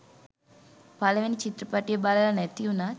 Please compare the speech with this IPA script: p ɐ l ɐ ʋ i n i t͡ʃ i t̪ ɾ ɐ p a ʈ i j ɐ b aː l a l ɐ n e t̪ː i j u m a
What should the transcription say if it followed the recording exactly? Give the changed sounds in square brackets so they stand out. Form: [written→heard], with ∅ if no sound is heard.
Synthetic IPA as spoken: p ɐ l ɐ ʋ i n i t͡ʃ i t̪ ɾ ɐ p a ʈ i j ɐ b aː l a l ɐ n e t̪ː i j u [m→n] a